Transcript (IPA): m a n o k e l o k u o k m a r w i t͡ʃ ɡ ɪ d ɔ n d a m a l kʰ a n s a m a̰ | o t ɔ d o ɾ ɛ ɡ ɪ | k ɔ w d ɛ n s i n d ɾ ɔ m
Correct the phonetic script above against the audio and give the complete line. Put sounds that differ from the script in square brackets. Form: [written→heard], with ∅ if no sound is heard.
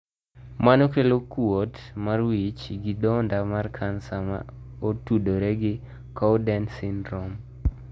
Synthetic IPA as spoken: m a n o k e l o k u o [k→t] m a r w i t͡ʃ ɡ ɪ d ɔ n d a m a [l→r] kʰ a n s a m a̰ | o t [ɔ→u] d o ɾ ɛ ɡ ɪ | k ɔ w d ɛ n s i n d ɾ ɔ m